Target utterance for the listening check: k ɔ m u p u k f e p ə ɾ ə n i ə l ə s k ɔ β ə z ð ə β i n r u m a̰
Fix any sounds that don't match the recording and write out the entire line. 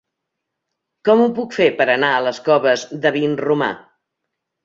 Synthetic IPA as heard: k ɔ m u p u k f e p ə ɾ ə n a ə l ə s k ɔ β ə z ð ə β i n r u m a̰